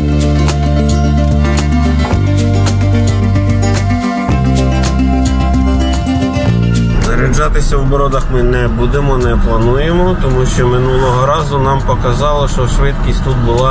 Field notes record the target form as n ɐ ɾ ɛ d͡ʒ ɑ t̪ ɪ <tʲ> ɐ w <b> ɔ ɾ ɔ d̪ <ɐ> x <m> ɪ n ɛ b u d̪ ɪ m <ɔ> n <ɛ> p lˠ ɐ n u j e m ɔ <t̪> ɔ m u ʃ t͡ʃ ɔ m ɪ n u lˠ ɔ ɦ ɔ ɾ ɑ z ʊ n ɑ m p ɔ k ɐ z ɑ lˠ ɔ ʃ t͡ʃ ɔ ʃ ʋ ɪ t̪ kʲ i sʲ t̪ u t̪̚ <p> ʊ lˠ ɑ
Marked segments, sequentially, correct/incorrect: incorrect, correct, correct, correct, correct, correct, correct, incorrect

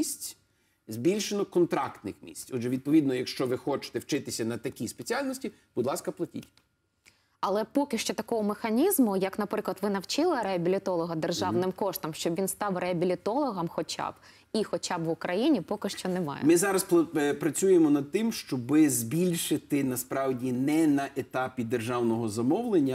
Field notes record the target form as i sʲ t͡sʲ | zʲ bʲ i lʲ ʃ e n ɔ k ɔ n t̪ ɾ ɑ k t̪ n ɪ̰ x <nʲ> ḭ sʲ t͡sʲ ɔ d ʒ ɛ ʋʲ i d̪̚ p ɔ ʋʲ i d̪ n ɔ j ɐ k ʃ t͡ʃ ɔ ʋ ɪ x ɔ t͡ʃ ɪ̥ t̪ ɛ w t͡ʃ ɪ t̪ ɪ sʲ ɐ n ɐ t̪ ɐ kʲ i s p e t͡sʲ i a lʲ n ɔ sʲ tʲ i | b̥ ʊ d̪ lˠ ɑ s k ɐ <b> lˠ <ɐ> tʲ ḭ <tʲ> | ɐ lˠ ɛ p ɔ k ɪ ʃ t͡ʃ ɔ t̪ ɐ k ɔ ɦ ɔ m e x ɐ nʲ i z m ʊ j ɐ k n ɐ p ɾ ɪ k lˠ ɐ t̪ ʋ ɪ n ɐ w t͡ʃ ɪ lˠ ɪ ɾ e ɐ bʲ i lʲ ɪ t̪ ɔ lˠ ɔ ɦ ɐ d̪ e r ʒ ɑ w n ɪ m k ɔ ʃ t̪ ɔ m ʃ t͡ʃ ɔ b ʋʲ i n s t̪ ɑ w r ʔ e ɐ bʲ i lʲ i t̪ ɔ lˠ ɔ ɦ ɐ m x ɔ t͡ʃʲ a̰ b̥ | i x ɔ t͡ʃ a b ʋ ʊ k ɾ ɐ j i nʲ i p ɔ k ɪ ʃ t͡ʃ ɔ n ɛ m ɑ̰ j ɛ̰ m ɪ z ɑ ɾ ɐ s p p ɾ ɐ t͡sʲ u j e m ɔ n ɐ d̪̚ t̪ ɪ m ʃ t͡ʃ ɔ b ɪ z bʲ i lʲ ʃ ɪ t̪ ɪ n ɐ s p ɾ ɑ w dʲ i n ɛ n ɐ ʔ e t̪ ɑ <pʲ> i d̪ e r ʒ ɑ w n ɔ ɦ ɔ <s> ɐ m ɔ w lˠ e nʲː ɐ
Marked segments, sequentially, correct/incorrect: incorrect, incorrect, correct, correct, correct, incorrect

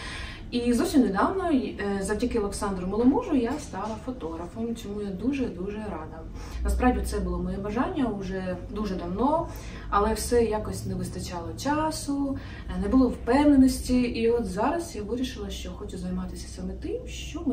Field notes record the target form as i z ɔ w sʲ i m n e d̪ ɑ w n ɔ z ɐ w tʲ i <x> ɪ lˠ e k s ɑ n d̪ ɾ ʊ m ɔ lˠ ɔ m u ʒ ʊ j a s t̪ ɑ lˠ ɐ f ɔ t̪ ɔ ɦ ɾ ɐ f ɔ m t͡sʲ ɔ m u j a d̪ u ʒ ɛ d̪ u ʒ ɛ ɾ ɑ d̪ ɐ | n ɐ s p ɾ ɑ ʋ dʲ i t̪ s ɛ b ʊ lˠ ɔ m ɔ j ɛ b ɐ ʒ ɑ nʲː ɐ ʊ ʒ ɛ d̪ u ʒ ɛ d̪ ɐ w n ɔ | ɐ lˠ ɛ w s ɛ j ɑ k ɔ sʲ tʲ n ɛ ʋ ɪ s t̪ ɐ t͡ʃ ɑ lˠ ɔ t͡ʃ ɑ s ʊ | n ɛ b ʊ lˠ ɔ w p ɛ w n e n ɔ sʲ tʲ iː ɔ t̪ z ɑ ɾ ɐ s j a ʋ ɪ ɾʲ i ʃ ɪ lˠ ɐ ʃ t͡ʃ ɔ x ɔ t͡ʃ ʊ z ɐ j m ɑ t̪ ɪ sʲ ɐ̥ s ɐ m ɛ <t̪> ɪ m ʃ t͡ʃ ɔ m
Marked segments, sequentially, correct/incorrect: incorrect, correct

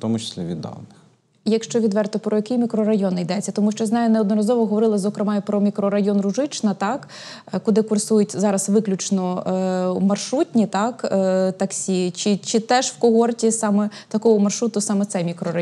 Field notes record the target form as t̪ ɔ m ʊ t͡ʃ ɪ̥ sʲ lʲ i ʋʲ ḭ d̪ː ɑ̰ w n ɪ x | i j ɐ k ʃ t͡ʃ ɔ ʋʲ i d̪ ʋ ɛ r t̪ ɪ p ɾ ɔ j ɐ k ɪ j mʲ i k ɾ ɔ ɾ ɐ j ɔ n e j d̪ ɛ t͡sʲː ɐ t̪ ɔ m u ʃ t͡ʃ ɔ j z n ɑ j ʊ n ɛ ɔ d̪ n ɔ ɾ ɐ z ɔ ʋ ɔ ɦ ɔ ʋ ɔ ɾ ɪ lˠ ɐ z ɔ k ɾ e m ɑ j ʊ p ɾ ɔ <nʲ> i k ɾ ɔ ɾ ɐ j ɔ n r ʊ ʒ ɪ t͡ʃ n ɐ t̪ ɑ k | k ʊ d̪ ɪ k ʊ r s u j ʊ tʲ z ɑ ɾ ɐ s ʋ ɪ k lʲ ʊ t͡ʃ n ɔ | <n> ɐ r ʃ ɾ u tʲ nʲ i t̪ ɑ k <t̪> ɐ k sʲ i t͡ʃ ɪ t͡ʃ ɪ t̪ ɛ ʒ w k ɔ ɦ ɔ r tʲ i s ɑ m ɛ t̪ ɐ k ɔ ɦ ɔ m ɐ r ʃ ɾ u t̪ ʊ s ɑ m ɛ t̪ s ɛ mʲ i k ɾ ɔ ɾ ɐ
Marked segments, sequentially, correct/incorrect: incorrect, incorrect, correct

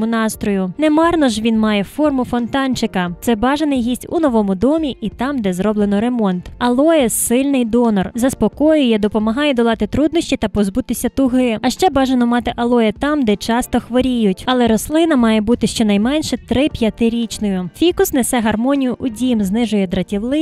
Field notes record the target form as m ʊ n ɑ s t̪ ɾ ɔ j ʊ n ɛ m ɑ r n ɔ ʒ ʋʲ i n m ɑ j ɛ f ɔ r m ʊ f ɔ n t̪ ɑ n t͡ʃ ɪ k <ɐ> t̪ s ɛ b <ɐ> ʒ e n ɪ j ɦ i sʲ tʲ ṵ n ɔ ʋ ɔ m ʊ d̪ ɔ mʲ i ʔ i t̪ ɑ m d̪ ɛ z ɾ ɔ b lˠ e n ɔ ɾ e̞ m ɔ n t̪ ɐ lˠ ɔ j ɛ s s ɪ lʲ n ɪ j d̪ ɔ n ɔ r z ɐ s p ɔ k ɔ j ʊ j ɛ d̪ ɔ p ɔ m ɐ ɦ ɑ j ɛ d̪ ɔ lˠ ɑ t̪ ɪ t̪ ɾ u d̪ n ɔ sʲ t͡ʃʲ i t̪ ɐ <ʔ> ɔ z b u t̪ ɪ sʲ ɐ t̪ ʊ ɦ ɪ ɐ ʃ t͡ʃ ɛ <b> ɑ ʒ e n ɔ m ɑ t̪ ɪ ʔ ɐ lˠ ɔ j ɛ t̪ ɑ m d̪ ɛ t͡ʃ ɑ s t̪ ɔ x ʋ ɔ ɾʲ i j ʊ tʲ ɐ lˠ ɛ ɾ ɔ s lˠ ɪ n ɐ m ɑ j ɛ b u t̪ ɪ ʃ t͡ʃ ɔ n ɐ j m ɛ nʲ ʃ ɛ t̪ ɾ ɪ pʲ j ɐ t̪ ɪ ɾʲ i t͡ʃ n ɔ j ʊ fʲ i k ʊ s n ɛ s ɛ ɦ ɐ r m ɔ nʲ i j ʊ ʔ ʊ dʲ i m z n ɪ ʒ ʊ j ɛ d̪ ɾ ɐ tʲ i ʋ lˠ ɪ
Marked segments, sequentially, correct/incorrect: correct, incorrect, incorrect, correct

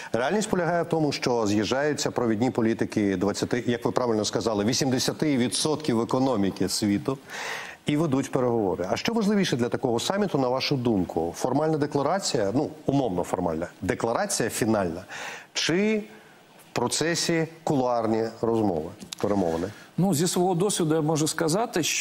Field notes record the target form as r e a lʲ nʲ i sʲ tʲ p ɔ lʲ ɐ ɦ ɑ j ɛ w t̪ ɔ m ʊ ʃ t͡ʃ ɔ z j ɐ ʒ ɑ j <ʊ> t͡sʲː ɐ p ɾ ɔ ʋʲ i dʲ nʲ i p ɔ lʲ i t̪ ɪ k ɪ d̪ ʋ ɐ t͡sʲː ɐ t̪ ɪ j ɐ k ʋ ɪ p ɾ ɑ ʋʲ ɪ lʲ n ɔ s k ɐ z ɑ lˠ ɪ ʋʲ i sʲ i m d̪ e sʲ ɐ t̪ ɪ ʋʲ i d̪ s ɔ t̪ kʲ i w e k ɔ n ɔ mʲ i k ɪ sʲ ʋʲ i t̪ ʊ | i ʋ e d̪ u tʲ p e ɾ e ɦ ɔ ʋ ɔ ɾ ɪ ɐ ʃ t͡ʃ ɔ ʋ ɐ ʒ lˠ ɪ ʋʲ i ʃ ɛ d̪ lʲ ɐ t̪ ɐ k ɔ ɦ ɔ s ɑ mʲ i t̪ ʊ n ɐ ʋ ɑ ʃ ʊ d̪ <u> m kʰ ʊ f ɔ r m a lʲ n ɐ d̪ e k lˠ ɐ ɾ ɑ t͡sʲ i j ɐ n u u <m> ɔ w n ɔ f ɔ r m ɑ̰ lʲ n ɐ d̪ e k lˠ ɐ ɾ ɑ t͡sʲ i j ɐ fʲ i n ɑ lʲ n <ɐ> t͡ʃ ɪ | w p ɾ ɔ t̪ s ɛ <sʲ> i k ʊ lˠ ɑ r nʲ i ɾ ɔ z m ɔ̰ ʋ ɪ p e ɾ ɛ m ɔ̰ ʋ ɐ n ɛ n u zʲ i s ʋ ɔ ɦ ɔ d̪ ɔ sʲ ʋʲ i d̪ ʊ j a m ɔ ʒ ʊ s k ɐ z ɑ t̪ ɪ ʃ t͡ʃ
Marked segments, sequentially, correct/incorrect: correct, correct, correct, correct, correct

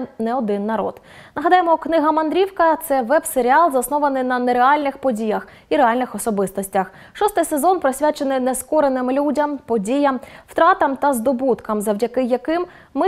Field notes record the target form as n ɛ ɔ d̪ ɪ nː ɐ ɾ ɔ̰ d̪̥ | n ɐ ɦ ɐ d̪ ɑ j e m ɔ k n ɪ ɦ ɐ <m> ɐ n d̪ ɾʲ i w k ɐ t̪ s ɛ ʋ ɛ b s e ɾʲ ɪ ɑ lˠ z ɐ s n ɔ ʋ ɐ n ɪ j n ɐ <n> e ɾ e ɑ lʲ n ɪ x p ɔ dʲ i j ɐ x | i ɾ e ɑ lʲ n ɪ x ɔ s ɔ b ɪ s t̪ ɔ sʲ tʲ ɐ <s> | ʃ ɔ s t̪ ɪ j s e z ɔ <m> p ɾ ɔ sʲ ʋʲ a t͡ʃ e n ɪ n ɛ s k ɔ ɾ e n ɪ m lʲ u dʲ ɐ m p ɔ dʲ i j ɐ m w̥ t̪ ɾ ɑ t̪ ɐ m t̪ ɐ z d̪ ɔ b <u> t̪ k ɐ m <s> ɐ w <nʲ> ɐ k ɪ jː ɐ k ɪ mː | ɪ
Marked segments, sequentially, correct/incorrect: correct, correct, incorrect, incorrect, correct, incorrect, incorrect

